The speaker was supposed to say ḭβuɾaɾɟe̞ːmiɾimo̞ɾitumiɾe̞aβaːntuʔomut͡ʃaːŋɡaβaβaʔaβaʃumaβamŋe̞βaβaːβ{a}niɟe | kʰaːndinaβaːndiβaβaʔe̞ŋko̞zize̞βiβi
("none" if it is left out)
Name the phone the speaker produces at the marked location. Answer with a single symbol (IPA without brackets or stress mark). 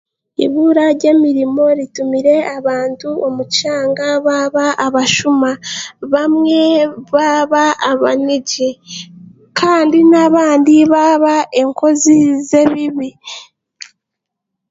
a